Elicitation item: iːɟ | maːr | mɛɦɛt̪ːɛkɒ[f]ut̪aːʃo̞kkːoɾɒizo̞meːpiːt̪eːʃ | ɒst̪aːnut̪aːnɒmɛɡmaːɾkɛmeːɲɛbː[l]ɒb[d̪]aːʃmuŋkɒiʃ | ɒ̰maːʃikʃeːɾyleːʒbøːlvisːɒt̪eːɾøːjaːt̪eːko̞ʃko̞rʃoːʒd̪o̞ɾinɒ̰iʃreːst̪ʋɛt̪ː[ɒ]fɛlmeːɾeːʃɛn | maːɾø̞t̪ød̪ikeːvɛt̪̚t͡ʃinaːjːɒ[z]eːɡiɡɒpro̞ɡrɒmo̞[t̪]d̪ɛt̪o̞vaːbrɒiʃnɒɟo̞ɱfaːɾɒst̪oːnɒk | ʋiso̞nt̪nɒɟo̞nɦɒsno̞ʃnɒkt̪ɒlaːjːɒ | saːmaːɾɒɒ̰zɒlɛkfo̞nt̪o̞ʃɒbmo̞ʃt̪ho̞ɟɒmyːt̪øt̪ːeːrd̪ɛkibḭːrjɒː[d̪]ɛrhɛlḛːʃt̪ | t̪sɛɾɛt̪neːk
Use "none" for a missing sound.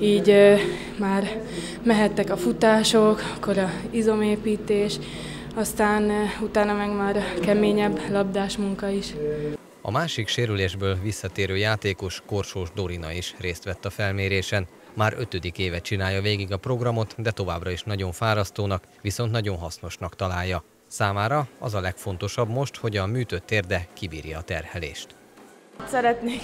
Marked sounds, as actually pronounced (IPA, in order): f, l, d̪, ɒ, v, t̪, t̪

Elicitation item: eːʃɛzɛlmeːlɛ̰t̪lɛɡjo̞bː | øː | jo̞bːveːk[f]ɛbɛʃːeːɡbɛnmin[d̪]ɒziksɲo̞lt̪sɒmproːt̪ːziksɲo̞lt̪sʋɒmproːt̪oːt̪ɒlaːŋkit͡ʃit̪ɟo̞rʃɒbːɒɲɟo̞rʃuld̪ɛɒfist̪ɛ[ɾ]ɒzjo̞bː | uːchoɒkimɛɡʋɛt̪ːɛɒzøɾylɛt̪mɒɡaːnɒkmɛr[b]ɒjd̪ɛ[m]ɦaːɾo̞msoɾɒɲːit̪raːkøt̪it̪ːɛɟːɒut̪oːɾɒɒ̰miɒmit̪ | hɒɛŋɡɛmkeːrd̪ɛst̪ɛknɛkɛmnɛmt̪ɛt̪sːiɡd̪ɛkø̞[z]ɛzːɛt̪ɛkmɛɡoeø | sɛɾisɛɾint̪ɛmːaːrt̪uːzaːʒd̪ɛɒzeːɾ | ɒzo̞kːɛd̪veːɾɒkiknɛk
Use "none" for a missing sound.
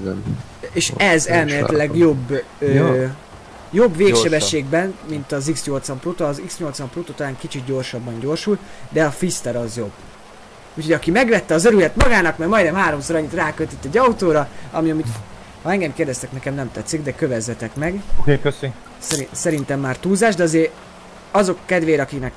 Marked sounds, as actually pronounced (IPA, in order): ʃ, t̪, ɾ, m, m, v

